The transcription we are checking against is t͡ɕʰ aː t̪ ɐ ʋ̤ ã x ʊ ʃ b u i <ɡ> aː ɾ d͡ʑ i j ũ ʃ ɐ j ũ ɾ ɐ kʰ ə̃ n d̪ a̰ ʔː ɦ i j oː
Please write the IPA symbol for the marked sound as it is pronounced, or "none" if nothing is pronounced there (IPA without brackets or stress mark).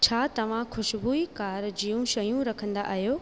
k